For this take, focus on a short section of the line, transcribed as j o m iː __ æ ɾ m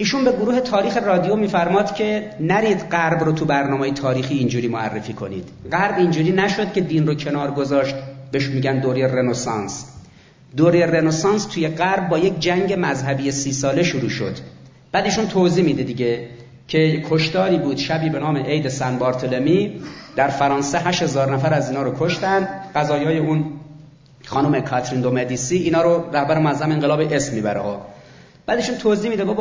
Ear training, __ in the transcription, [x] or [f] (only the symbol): f